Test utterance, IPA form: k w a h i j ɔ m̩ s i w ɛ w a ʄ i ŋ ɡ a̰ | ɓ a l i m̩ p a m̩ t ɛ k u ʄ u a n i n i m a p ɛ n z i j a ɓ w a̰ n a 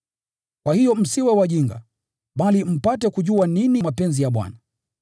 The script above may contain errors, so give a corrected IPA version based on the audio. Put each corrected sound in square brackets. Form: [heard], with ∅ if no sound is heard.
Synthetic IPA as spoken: k w a h i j ɔ m̩ s i w ɛ w a ʄ i ŋ ɡ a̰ | ɓ a l i m̩ p a [∅] t ɛ k u ʄ u a n i n i m a p ɛ n z i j a ɓ w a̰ n a